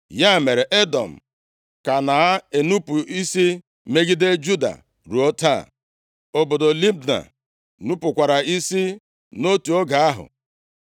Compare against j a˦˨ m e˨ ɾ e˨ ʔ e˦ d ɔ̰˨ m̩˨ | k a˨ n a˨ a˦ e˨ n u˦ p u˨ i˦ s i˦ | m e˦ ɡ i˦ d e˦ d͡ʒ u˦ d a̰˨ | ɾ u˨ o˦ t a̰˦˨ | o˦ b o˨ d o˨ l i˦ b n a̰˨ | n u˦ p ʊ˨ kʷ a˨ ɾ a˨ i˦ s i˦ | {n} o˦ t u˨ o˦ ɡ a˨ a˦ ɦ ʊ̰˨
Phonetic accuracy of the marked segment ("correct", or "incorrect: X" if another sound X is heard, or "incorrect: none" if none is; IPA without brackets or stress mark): correct